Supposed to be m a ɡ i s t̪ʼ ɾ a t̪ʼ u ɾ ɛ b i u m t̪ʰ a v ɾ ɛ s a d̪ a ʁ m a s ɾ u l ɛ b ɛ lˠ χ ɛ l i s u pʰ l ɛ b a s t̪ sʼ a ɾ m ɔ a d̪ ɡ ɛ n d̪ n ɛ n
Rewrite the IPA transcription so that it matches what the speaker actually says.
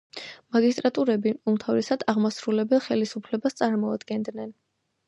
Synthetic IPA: m a ɡ i s t̪ʼ ɾ a t̪ʼ u ɾ ɛ b i u m t̪ʰ a v ɾ ɛ s a d̪ a ʁ m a s ɾ u l ɛ b ɛ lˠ χ ɛ l i s u pʰ l ɛ b a s t̪ sʼ a ɾ m ɔ a d̪ ɡ ɛ n d̪ n ɛ n

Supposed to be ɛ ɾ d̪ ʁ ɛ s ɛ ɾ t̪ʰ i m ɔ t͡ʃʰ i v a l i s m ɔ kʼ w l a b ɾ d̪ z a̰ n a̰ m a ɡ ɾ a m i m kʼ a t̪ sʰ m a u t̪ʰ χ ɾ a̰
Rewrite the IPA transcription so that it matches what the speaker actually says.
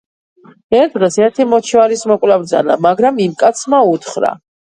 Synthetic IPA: ɛ ɾ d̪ ʁ ɛ s ɛ ɾ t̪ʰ i m ɔ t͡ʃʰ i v a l i s m ɔ kʼ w l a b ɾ d̪ z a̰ n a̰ m a ɡ ɾ a m i m kʼ a t̪ sʰ m a u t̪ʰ χ ɾ a̰

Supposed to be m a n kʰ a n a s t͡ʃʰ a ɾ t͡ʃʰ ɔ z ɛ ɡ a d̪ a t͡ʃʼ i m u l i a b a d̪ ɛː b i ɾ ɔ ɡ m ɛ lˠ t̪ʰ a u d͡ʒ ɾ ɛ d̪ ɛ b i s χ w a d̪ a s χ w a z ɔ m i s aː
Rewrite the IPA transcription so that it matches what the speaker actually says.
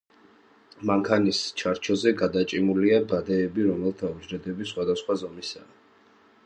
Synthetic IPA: m a ŋ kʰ a n i s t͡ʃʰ a ɾ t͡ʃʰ ɔ z ɛ ɡ a d̪ a t͡ʃʼ i m u l i a b a d̪ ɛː b i ɾ ɔ m ɛ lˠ t̪ʰ a u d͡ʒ ɾ ɛ d̪ ɛ b i s χ w a d̪ a s χ w a z ɔ m i s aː

